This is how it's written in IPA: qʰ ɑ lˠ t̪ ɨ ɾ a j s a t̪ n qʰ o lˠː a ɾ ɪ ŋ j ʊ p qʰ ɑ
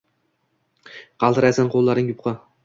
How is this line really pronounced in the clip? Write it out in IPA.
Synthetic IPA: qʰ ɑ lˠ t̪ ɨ ɾ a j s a n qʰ o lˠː a ɾ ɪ ŋ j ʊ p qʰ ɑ